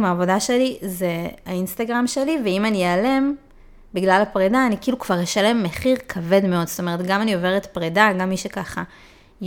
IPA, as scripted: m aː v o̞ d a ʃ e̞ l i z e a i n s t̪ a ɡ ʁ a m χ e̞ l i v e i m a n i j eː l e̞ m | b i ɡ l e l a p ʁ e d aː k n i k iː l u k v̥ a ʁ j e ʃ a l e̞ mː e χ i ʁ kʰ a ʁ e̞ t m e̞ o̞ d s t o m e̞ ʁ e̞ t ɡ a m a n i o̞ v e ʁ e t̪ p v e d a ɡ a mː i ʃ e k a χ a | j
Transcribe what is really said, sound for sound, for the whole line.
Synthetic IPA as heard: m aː v o̞ d a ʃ e̞ l i z e a i n s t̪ a ɡ ʁ a m ʃ e̞ l i v e i m a n i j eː l e̞ m | b i ɡ l a l a p ʁ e d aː n i k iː l u k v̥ a ʁ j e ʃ a l e̞ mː e χ i ʁ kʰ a v e̞ d m e̞ o̞ d s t o m e̞ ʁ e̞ t ɡ a m a n i o̞ v e ʁ e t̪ p ʁ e d a ɡ a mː i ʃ e k a χ a | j